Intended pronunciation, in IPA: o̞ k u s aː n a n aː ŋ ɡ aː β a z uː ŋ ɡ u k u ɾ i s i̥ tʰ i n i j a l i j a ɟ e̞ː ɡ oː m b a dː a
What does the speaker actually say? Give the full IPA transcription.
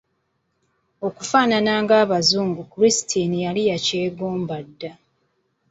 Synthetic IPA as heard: o̞ k u f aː n a n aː ŋ ɡ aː β a z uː ŋ ɡ u k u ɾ i s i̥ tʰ i n i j a l i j a c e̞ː ɡ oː m b a dː a